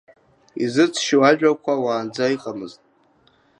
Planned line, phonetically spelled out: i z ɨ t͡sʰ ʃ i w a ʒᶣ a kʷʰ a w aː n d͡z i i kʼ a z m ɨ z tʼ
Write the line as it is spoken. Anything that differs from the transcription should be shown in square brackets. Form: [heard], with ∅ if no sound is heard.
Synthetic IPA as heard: i z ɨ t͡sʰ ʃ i w a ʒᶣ a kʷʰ a w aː n d͡z [a] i [qʼ] a [∅] m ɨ z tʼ